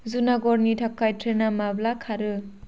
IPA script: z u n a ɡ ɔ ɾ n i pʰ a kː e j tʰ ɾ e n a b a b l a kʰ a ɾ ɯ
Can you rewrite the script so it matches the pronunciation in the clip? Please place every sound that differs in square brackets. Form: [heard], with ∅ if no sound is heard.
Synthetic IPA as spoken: z u n a ɡ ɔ ɾ n i [tʰ] a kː [a] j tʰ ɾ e n a [m] a b l a kʰ a ɾ ɯ